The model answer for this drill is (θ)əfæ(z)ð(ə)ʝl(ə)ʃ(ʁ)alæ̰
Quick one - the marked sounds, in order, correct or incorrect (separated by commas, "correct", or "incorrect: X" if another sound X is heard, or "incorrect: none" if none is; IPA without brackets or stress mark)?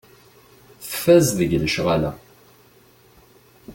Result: correct, correct, correct, correct, correct